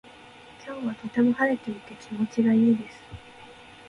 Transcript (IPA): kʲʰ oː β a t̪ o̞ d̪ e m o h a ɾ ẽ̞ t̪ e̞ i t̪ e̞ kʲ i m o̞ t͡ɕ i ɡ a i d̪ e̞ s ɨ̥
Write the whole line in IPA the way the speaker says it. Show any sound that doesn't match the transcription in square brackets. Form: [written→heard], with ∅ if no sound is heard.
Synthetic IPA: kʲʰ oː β a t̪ o̞ [d̪→t̪] e m o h a ɾ [ẽ̞→e̞] t̪ e̞ i t̪ e̞ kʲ i m o̞ t͡ɕ i ɡ a [i→iː] d̪ e̞ s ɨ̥